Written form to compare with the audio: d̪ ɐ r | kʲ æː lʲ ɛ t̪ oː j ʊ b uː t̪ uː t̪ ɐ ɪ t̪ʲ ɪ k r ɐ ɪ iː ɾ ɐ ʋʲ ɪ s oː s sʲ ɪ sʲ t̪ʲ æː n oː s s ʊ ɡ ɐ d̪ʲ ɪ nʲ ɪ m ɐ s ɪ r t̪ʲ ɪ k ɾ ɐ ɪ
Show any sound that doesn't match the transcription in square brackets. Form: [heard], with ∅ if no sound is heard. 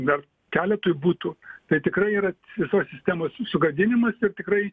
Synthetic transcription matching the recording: d̪ ɐ r | kʲ æː lʲ ɛ t̪ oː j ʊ b uː t̪ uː t̪ ɐ ɪ t̪ʲ ɪ k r ɐ ɪ iː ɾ ɐ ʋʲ ɪ s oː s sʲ ɪ sʲ t̪ʲ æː [m] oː s s ʊ ɡ ɐ d̪ʲ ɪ nʲ ɪ m ɐ s ɪ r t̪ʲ ɪ k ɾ ɐ ɪ